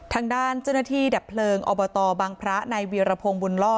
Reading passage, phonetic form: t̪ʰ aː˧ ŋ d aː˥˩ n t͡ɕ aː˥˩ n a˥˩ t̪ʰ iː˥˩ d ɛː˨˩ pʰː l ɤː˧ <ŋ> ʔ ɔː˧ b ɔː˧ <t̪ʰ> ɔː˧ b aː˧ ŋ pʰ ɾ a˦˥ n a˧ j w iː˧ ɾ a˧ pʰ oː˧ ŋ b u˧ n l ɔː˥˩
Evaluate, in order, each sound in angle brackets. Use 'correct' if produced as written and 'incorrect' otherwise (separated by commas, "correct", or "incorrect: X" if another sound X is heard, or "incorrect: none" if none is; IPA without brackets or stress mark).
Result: correct, incorrect: t̪